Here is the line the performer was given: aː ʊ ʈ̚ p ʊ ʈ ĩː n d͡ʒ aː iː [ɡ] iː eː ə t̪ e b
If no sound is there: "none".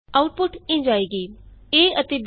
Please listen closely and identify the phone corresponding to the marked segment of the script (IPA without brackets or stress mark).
ɡ